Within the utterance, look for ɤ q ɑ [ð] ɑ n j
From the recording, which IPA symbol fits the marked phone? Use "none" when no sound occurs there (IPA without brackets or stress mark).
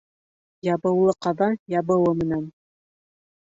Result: ð